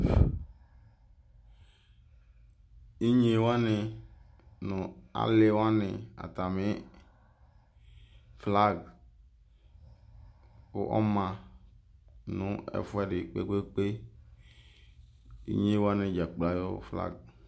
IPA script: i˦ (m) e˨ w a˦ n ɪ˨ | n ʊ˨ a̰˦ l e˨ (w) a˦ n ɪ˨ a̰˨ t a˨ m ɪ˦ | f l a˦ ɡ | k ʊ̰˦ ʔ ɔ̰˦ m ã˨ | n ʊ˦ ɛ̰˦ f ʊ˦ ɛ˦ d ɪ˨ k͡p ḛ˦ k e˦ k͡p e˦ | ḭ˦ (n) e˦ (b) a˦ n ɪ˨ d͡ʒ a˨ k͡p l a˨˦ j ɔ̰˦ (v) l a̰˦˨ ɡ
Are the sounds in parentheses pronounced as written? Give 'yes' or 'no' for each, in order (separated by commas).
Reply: no, yes, no, no, no